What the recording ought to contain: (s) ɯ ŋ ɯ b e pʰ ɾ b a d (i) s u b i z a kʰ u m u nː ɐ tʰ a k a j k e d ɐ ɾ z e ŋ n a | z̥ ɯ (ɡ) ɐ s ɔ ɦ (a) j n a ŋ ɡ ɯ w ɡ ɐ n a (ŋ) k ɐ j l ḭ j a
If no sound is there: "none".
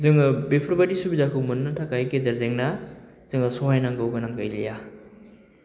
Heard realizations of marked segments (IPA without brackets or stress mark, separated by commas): z, i, ŋ, a, ŋ